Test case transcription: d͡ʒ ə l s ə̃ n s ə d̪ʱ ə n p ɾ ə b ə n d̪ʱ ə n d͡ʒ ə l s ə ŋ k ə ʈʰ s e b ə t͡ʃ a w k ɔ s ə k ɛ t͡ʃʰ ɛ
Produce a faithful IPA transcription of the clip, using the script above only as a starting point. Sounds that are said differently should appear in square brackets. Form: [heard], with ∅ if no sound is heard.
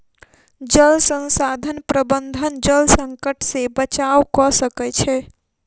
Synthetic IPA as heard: d͡ʒ ə l s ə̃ n s [a] d̪ʱ ə n p ɾ ə b ə n d̪ʱ ə n d͡ʒ ə l s ə ŋ k ə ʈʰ s e b ə t͡ʃ a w k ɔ s ə k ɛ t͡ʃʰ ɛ